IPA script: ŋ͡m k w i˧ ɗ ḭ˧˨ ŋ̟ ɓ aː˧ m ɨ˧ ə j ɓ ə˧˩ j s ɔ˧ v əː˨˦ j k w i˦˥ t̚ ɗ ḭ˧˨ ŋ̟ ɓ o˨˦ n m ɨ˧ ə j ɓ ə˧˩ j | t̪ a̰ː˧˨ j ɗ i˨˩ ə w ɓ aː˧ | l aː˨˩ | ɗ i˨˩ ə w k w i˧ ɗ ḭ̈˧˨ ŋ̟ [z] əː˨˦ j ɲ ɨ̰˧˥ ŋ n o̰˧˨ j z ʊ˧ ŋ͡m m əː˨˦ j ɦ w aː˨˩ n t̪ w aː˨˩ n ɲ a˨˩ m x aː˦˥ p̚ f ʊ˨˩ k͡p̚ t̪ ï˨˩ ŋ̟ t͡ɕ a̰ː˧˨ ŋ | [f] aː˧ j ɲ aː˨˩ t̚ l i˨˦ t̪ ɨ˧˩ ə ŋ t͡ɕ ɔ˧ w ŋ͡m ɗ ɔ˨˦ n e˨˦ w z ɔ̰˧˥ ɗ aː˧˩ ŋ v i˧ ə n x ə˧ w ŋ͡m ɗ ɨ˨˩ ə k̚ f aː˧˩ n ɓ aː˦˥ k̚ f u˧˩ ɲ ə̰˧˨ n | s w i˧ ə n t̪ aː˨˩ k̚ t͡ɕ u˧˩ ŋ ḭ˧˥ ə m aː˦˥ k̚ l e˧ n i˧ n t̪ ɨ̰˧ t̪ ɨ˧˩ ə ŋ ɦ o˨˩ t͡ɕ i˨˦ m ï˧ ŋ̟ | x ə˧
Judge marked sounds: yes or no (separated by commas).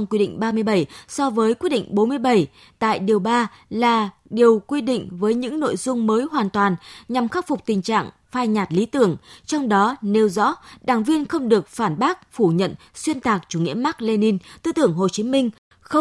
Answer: no, yes